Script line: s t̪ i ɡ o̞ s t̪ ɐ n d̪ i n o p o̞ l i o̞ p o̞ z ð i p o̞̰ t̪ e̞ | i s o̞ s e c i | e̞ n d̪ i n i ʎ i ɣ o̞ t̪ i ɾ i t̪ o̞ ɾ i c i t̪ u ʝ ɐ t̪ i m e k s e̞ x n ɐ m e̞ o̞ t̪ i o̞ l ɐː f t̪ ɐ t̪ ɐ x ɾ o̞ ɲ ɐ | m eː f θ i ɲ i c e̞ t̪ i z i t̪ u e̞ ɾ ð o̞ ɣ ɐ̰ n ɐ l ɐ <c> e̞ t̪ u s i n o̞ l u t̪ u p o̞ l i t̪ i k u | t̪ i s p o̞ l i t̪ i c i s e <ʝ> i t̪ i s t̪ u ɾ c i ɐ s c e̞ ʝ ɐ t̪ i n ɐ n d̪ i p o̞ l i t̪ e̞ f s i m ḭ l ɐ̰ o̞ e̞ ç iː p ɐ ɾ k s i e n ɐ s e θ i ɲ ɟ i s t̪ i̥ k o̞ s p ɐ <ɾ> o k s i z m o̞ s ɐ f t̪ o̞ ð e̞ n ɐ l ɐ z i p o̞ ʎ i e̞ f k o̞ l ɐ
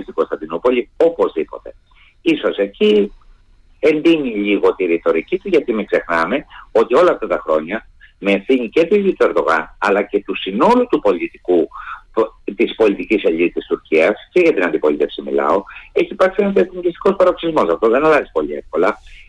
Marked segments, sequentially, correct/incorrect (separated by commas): correct, incorrect, correct